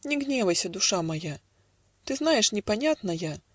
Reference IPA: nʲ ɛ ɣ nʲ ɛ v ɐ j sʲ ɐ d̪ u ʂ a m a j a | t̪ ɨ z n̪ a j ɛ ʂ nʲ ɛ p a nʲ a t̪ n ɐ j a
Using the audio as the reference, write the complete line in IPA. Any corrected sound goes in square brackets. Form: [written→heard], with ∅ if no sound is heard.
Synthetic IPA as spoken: nʲ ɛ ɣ nʲ ɛ v ɐ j sʲ ɐ d̪ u ʂ a m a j a | t̪ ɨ z n̪ a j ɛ ʂ nʲ ɛ p a nʲ a t̪ n ɐ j a